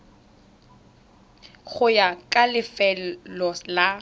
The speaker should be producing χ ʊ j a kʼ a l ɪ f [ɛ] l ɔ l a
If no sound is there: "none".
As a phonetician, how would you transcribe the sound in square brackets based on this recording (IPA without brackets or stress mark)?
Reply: ɛ